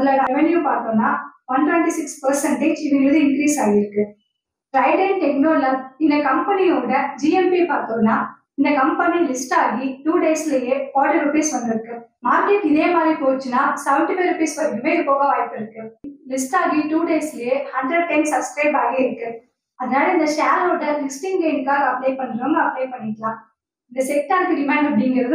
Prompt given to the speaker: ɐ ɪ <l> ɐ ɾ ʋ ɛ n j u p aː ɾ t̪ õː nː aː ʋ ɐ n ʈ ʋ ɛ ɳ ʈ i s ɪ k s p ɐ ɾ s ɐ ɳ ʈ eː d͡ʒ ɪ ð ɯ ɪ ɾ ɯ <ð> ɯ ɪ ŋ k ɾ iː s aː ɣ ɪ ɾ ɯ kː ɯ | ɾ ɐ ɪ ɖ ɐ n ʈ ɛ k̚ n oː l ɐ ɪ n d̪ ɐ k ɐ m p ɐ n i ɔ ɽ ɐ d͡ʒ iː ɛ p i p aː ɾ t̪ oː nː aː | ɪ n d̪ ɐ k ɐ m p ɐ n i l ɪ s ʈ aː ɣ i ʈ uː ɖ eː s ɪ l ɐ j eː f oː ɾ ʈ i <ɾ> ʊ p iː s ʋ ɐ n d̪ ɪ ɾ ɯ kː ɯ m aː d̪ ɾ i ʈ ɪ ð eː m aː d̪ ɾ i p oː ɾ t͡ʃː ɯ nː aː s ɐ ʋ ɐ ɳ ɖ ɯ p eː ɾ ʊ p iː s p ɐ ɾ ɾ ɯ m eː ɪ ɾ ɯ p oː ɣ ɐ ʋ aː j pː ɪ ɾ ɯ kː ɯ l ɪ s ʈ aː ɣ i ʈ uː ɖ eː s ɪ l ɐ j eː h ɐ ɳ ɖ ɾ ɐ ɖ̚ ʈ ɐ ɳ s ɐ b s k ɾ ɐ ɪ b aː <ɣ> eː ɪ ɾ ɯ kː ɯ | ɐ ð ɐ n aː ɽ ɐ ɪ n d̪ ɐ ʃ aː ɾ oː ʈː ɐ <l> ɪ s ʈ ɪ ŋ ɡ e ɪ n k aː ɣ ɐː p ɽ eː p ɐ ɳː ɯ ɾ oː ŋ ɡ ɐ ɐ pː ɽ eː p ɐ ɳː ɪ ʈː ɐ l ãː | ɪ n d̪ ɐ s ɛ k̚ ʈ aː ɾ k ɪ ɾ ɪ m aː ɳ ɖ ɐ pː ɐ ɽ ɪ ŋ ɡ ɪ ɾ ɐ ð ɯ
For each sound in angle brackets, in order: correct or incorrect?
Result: correct, correct, correct, correct, correct

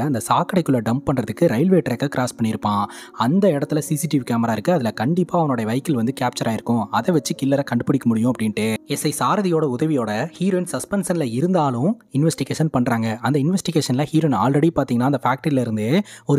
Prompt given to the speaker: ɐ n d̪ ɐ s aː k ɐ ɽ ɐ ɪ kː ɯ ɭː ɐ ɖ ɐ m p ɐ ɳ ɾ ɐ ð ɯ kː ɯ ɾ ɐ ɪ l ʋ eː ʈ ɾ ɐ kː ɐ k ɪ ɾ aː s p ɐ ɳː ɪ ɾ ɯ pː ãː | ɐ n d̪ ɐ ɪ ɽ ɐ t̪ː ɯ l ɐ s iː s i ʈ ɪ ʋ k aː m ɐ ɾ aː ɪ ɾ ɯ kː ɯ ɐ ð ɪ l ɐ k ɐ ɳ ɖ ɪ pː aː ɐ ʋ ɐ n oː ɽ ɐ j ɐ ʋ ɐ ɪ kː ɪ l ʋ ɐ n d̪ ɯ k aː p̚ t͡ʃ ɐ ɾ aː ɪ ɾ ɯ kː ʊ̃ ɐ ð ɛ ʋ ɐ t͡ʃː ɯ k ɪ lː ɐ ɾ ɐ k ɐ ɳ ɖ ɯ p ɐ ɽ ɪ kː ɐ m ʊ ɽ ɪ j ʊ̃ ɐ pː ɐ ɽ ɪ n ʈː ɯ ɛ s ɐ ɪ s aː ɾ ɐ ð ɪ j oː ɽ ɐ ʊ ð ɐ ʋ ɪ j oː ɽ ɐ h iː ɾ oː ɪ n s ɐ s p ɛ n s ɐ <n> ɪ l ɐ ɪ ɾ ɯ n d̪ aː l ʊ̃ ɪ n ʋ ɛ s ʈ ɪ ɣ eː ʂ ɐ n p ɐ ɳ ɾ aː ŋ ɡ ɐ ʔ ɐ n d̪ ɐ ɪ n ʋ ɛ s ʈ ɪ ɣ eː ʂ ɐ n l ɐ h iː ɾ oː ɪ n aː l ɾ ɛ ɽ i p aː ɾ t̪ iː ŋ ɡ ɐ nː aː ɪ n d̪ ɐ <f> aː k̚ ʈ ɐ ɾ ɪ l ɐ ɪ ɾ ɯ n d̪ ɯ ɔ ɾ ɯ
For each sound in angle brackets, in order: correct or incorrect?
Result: correct, correct

